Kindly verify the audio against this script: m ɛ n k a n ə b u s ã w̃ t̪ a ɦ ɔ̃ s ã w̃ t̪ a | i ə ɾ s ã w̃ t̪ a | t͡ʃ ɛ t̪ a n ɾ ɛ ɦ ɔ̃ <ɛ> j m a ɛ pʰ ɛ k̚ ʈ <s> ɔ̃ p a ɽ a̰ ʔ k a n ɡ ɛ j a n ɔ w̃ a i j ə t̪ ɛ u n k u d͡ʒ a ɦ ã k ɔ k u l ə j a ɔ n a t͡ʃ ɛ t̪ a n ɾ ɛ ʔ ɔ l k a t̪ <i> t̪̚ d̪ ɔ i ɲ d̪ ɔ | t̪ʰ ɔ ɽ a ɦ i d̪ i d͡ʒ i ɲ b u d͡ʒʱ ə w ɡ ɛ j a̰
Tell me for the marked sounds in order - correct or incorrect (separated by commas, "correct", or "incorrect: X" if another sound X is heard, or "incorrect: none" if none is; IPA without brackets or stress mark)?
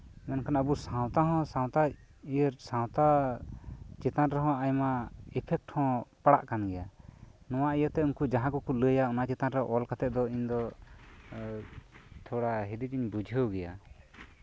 incorrect: a, incorrect: h, incorrect: ɛ